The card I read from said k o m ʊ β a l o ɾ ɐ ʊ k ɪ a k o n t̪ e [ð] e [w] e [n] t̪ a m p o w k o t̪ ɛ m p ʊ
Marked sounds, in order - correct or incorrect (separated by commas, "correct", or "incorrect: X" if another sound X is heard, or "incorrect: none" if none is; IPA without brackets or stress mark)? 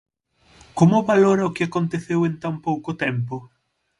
incorrect: θ, correct, correct